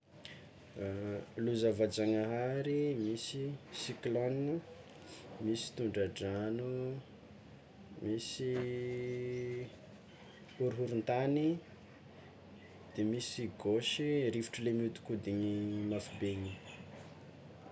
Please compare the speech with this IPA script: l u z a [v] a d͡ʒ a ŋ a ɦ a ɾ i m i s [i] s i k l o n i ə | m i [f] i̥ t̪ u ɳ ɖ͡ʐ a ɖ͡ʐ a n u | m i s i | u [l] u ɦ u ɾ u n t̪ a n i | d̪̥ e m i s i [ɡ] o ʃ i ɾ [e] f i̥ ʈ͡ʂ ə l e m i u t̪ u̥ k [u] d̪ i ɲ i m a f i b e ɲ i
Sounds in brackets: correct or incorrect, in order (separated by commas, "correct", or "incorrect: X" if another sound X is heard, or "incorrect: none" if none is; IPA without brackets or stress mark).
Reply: correct, correct, incorrect: s, incorrect: ɾ, correct, incorrect: i, correct